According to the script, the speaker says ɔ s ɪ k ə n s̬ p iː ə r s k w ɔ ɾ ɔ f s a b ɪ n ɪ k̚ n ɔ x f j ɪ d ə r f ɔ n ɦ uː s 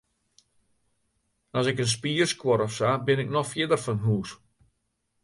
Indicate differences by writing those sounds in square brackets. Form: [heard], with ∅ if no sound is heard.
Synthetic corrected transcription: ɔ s ɪ k ə n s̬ p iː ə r s k w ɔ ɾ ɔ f s a b ɪ n ɪ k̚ n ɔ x f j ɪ d ə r f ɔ n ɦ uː s

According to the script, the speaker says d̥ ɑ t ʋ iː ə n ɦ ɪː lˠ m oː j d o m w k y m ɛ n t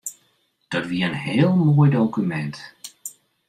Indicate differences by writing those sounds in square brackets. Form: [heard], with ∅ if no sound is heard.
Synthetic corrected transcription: d̥ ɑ t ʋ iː ə n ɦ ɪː lˠ m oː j d o [∅] w k y m ɛ n t

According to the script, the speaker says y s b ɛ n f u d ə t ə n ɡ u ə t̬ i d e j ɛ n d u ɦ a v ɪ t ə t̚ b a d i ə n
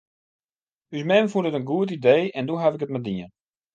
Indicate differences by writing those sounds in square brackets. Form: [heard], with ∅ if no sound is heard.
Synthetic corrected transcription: y s [m] ɛ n f u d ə t ə n ɡ u ə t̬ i d e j ɛ n d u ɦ a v ɪ [k] ə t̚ [m] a d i ə n

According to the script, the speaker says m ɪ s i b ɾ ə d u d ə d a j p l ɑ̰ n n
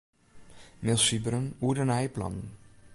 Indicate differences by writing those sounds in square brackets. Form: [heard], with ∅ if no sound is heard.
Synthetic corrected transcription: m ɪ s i b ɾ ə [n] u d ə [n] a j p l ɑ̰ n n

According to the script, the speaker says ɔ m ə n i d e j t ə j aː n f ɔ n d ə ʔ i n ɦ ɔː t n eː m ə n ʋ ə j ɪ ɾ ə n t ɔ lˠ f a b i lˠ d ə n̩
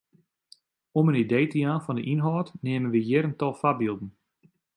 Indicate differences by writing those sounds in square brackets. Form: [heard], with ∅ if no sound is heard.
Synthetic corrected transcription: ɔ m ə n i d e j t ə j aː n f ɔ n d ə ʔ i n ɦ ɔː t n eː m ə n ʋ ə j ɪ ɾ ə n t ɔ lˠ f a b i lˠ d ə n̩

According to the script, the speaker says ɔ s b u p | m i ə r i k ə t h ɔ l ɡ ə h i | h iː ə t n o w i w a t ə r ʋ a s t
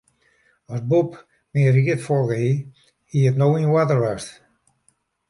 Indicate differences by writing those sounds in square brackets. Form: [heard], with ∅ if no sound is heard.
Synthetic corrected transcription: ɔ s b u p | m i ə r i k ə t [f] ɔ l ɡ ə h i | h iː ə t n o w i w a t ə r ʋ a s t

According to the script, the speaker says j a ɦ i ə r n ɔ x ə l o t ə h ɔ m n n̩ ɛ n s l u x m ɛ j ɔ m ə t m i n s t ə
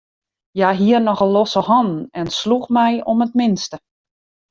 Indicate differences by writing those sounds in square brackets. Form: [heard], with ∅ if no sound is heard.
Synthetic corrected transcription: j a ɦ i ə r n ɔ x ə l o [s] ə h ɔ [∅] n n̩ ɛ n s l u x m ɛ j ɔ m ə t m [ɪ] n s t ə

